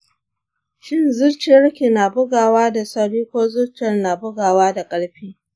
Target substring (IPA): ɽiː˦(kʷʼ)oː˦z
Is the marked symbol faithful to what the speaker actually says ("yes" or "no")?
no